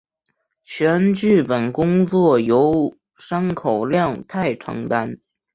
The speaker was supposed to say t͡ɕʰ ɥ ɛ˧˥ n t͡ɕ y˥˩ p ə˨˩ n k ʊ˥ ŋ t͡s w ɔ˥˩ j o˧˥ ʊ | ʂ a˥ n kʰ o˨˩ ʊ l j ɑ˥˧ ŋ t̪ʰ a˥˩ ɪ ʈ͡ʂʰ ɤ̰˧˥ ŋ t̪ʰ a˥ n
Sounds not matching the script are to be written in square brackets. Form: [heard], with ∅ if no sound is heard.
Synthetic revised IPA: t͡ɕʰ ɥ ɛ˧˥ n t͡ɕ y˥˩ p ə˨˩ n k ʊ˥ ŋ t͡s w ɔ˥˩ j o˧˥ ʊ | ʂ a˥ n kʰ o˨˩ ʊ l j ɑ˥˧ ŋ t̪ʰ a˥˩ ɪ ʈ͡ʂʰ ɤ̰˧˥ ŋ [t̪] a˥ n